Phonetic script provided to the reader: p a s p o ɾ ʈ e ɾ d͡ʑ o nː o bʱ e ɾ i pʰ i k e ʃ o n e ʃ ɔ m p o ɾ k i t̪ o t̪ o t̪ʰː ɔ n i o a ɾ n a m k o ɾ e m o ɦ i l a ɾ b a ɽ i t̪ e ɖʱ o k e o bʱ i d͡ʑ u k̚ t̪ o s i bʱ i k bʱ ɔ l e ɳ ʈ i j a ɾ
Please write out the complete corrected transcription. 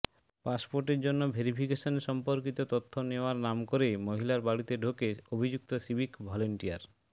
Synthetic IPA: p a s p o ɾ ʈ e ɾ d͡ʑ o nː o bʱ e ɾ i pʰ i k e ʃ o n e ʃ ɔ m p o ɾ k i t̪ o t̪ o t̪ʰː o n e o a ɾ n a m k o ɾ e m o ɦ i l a ɾ b a ɽ i t̪ e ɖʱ o k e o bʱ i d͡ʑ u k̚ t̪ o s i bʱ i k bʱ ɔ l e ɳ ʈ i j a ɾ